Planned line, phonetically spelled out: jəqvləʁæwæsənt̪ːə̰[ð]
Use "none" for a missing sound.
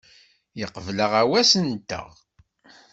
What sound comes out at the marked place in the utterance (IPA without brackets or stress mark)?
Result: ʁ